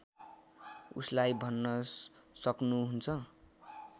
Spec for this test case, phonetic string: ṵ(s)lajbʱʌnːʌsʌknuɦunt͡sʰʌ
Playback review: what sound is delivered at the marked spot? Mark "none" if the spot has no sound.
s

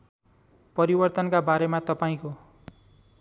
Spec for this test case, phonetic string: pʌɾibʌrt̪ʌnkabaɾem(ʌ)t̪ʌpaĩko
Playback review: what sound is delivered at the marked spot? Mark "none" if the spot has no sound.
a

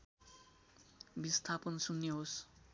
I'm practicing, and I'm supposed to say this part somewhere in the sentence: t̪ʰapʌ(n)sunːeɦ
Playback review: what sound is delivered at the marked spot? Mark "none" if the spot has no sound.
n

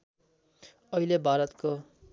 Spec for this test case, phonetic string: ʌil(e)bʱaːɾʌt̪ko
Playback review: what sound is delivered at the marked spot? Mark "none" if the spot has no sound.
e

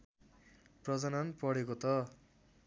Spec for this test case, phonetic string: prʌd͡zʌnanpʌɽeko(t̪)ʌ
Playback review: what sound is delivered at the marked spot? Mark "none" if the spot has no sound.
t̪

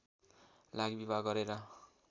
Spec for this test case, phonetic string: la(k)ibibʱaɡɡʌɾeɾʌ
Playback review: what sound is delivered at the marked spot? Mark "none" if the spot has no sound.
ɡ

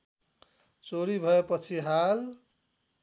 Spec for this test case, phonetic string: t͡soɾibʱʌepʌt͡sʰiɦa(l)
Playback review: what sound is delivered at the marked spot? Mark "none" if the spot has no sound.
l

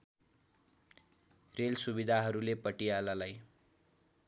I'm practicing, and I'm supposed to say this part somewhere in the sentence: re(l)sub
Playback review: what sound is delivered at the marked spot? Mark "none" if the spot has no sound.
l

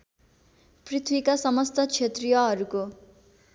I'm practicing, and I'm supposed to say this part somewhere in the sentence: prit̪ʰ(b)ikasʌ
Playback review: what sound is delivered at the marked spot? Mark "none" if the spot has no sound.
w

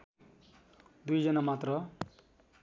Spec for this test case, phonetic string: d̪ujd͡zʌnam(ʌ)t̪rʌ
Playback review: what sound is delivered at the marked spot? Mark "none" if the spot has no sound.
a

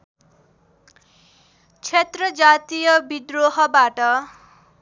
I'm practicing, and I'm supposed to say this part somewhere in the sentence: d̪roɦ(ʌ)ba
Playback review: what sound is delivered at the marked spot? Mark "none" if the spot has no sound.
ʌ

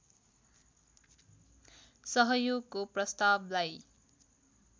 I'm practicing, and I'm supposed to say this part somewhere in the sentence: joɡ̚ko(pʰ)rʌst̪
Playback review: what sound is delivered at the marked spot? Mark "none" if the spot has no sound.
p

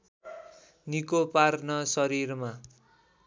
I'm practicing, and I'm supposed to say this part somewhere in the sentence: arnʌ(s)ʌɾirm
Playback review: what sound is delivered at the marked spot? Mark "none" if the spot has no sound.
s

